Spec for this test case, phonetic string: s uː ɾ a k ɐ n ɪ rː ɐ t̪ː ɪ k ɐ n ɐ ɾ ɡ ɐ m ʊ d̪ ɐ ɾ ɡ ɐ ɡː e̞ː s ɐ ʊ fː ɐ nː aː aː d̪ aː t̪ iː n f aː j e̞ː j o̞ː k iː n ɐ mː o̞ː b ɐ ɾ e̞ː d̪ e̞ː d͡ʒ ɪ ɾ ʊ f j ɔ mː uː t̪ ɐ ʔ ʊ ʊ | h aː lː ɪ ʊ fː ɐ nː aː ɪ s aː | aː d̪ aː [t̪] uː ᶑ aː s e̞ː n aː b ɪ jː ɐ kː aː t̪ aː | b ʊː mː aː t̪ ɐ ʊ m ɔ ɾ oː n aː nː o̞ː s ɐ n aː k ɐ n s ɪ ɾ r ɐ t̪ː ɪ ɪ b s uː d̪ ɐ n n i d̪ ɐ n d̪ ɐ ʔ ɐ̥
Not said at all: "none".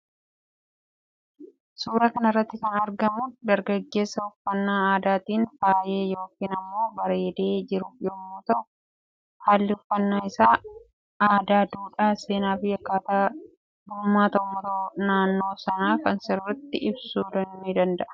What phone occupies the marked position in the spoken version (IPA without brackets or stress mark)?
d̪